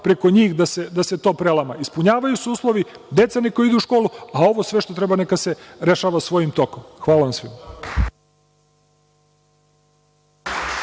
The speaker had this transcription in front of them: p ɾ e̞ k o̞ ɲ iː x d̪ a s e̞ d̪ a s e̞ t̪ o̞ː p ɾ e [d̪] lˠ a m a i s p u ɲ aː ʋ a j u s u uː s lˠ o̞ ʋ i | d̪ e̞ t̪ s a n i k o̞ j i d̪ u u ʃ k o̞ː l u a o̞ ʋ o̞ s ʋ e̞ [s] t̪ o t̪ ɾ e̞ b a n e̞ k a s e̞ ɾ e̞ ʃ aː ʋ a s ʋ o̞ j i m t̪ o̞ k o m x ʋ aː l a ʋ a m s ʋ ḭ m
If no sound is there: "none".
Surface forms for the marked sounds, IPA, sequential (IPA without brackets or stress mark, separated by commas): none, ʃ